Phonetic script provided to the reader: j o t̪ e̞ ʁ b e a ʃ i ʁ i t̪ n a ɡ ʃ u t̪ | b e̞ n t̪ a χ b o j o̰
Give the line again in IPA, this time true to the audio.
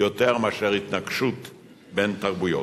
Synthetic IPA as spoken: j o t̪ e̞ ʁ m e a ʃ e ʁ i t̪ n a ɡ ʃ u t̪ | b e̞ n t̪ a ʁ b u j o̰